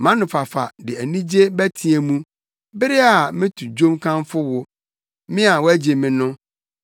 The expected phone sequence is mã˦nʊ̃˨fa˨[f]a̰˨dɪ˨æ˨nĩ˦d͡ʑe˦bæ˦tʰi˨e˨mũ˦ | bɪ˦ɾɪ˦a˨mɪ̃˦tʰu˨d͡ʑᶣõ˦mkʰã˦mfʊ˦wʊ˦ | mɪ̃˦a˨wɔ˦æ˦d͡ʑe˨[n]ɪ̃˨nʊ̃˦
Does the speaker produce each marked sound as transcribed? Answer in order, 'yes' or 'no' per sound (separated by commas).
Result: yes, no